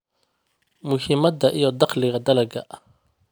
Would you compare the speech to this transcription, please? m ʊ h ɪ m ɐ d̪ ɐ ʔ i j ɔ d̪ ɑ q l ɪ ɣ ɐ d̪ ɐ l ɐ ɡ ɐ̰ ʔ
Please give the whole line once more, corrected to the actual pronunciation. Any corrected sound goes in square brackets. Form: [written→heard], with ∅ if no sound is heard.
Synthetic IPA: m ʊ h ɪ m ɐ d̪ ɐ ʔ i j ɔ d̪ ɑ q l ɪ ɣ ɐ d̪ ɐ l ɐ ɡ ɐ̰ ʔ